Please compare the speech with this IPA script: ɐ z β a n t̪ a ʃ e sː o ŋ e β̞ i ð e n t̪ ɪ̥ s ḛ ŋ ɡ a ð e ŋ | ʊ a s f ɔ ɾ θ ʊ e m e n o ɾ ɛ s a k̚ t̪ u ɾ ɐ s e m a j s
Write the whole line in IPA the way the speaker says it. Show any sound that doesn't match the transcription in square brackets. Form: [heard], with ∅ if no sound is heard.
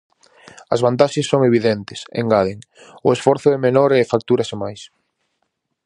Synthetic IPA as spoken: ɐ z β a n t̪ a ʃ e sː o ŋ e β̞ i ð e n t̪ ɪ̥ s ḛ ŋ ɡ a ð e ŋ | ʊ [e] s f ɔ ɾ θ ʊ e m e n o ɾ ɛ [f] a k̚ t̪ u ɾ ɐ s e m a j s